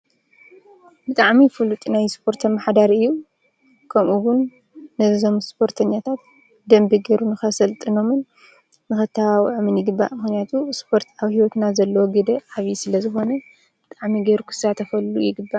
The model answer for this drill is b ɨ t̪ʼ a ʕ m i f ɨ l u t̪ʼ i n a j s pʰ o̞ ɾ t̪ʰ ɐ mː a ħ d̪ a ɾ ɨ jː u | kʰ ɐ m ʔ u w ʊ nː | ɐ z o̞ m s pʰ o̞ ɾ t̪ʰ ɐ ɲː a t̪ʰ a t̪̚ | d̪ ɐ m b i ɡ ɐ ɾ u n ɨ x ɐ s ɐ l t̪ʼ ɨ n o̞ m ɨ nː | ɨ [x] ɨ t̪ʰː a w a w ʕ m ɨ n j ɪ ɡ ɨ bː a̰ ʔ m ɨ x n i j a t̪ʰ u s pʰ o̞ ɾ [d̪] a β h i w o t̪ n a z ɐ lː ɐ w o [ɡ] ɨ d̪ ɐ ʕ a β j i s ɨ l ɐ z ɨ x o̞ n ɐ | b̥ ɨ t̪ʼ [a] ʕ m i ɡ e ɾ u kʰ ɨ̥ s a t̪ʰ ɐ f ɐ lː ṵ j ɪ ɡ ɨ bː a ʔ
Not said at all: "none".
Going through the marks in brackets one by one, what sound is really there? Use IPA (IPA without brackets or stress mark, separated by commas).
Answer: x, t̪, ɡ, a